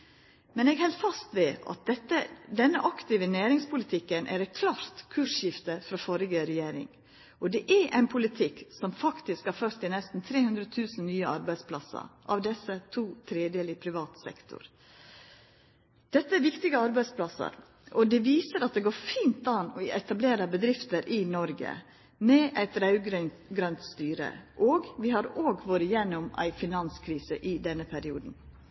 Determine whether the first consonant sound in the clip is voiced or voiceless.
voiced